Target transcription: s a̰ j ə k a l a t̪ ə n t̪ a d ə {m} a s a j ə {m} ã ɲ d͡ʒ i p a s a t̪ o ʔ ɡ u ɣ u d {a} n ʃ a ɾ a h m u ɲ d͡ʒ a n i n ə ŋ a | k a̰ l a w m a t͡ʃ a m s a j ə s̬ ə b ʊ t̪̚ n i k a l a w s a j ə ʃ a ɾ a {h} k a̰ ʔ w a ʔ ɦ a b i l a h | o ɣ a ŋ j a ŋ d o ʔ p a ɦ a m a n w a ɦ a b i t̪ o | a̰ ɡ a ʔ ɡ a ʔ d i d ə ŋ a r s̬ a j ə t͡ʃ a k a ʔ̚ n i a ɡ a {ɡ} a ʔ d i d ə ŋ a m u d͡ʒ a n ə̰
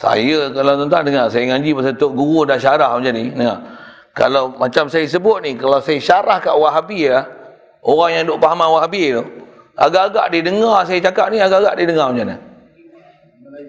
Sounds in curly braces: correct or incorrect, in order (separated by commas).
incorrect, incorrect, correct, correct, correct